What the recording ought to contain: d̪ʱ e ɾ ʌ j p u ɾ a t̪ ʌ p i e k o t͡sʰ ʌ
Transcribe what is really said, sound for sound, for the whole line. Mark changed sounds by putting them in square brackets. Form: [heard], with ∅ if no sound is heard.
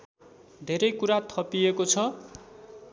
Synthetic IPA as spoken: d̪ʱ e ɾ ʌ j [k] u ɾ a [t̪ʰ] ʌ p i e k o t͡sʰ ʌ